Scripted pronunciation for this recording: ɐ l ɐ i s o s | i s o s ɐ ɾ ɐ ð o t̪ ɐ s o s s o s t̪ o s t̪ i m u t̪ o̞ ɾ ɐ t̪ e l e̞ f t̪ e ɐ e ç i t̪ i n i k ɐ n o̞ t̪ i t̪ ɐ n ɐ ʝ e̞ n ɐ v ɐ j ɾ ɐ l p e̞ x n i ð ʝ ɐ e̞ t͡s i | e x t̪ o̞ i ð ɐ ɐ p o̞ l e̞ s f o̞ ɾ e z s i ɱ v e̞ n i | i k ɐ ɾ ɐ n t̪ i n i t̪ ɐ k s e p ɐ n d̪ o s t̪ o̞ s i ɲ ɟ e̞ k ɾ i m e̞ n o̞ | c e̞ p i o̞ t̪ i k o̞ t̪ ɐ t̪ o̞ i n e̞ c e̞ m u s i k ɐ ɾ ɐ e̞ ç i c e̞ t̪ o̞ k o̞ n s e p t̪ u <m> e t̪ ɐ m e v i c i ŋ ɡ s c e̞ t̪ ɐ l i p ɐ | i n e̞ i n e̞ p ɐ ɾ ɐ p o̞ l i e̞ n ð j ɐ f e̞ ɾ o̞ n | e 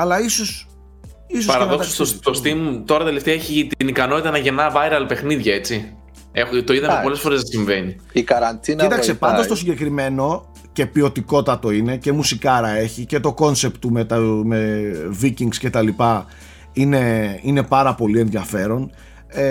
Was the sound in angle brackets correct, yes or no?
yes